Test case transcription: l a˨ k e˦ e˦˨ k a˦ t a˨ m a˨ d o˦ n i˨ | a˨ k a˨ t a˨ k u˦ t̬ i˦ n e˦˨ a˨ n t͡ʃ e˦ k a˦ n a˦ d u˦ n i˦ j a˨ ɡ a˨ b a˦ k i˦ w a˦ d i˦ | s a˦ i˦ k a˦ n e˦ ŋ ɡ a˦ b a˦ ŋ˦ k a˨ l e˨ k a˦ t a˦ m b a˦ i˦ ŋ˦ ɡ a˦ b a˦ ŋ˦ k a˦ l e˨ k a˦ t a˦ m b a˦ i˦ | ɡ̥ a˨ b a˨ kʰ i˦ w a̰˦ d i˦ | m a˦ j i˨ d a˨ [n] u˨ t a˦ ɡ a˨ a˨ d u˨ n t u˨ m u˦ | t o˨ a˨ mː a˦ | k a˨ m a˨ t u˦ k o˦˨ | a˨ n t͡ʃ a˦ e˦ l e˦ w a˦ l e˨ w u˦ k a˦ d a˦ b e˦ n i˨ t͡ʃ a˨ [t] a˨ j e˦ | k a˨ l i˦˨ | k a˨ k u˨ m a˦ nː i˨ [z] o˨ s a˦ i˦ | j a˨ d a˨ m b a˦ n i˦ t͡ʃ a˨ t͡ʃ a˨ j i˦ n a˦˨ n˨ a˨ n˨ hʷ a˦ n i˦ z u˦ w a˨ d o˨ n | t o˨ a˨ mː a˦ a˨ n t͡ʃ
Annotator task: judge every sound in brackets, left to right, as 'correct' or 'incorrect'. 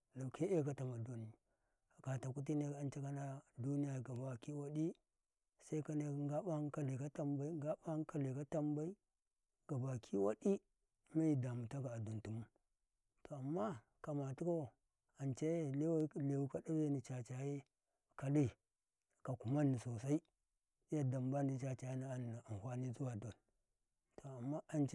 incorrect, incorrect, incorrect

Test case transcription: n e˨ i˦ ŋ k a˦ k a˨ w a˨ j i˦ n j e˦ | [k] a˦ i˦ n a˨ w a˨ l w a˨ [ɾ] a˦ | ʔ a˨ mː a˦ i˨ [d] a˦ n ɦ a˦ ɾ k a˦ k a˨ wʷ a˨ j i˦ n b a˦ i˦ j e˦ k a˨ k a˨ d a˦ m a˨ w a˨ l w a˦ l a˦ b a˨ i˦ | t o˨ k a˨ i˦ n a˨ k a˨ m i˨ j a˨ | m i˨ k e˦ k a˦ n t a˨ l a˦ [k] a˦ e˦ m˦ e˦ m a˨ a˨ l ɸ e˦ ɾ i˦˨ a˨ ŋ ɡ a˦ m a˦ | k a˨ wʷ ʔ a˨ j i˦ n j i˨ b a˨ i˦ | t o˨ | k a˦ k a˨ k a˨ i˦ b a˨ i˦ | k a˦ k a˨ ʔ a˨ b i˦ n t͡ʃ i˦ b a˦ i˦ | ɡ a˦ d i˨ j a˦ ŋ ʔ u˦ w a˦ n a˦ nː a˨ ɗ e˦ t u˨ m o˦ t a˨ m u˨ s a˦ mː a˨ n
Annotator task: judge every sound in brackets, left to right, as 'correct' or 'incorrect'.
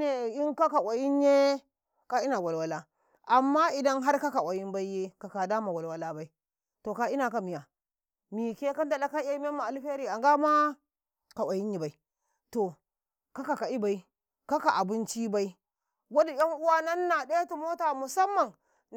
correct, incorrect, correct, correct

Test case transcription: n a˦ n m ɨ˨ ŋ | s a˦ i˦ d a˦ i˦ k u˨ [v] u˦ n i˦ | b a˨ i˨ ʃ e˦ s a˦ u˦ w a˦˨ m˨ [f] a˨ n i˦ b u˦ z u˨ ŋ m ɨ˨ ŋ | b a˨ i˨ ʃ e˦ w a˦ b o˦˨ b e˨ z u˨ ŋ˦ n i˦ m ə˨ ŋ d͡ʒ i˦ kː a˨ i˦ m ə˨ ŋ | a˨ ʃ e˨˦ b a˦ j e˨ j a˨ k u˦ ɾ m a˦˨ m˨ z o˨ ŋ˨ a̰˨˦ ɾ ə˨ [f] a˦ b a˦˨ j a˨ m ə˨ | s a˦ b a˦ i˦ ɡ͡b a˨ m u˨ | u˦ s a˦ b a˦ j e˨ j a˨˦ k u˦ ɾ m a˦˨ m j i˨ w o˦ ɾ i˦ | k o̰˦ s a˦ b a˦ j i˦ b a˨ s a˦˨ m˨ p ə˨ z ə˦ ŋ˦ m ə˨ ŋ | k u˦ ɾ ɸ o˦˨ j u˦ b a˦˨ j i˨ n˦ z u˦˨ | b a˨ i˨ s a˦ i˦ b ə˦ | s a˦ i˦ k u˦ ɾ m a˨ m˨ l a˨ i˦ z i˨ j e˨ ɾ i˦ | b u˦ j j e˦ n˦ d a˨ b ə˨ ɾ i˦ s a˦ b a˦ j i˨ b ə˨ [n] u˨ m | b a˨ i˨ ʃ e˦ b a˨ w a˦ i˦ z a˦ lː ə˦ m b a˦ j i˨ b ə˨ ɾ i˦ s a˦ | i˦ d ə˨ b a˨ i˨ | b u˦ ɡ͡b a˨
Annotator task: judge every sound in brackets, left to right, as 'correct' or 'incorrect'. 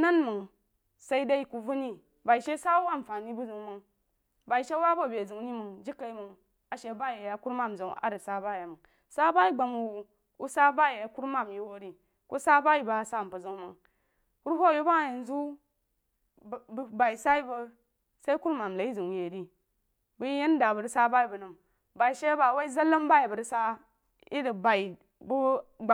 correct, correct, incorrect, correct

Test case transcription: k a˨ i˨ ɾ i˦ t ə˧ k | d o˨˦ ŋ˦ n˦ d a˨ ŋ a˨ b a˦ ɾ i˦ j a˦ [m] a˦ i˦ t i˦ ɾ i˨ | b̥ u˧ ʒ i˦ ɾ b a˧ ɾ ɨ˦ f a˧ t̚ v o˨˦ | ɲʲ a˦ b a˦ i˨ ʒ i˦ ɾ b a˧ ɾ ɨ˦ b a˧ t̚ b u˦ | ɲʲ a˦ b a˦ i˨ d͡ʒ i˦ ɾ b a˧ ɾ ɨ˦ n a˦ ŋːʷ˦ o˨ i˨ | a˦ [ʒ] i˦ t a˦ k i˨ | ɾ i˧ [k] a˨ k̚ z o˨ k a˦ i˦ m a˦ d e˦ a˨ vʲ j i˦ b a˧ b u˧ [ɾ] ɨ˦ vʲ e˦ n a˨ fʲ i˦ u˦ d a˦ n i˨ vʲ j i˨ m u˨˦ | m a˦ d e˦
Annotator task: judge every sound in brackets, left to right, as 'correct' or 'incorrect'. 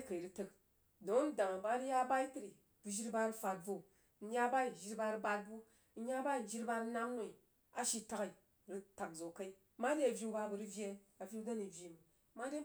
incorrect, incorrect, incorrect, correct

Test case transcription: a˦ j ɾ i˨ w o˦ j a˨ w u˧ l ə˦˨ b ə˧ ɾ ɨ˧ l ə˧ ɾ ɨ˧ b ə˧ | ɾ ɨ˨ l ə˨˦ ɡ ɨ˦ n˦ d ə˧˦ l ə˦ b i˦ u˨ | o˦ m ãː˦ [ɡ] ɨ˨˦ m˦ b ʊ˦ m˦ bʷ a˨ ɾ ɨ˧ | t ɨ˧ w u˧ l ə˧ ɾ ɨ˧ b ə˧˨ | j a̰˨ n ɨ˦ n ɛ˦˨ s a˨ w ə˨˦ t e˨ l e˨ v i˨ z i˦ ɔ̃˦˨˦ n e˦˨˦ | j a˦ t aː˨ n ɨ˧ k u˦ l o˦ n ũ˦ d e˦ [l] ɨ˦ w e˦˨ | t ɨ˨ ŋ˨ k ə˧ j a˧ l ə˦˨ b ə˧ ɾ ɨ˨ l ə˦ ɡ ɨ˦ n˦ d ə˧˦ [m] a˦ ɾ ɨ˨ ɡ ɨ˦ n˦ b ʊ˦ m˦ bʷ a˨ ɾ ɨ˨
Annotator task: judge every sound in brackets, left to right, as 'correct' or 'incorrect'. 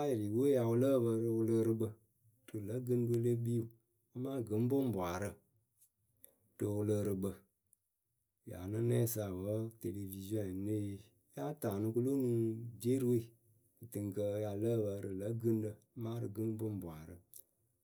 correct, incorrect, correct

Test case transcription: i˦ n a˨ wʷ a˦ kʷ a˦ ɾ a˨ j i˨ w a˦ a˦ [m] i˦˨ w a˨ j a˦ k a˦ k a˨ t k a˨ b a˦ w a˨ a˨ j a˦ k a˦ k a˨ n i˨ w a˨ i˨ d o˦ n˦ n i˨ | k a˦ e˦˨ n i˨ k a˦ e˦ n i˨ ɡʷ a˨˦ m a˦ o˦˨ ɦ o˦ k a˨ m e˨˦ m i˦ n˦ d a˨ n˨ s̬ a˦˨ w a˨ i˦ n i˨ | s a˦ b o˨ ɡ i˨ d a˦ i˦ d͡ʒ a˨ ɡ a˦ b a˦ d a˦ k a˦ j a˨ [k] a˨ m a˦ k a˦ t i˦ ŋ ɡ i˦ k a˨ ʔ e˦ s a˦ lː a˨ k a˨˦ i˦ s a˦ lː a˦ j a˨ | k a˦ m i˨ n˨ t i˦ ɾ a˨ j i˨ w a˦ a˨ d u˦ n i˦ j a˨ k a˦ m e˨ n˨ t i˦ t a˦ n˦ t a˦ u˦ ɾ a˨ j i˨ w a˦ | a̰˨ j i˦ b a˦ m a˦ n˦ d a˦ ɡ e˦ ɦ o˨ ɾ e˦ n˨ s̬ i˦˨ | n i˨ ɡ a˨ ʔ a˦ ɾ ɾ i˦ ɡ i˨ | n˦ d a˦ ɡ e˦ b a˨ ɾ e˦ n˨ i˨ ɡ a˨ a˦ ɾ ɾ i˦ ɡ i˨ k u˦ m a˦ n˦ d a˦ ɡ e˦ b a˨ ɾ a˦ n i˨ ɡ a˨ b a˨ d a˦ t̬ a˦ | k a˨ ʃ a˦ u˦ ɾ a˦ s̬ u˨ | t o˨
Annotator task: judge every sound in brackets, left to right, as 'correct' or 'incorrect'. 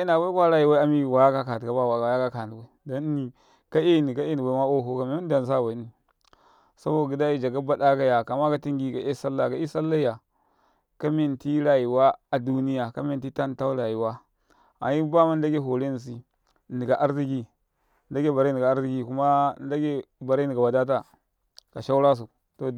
correct, correct

